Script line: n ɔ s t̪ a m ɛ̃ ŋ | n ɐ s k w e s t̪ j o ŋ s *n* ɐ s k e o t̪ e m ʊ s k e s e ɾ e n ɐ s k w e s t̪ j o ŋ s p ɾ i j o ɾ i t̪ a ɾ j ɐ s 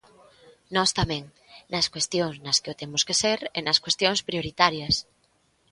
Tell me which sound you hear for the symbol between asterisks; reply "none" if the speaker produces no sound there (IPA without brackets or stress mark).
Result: n